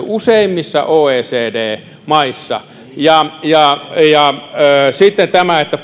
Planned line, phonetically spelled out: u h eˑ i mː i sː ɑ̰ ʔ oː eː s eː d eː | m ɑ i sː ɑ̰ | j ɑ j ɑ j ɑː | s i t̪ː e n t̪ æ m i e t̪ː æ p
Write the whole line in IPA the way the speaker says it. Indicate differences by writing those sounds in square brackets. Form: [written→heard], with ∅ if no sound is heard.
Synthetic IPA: u [h→s] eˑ i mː i sː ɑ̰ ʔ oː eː s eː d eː | m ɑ i sː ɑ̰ | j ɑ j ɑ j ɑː | s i t̪ː e n t̪ æ m [i→æ] e t̪ː æ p